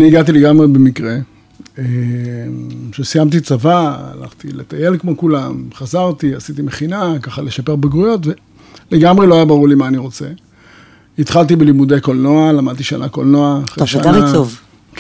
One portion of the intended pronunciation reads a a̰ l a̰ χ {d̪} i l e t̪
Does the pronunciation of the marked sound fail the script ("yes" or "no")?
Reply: yes